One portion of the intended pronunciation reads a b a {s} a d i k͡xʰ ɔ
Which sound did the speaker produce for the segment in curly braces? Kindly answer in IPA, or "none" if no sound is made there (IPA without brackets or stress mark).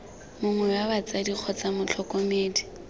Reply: t͡s